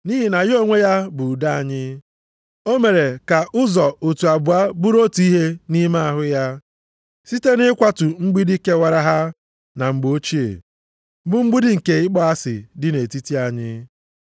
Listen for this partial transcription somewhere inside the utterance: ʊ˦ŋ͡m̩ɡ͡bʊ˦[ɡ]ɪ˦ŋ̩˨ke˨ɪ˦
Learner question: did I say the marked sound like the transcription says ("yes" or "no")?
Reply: no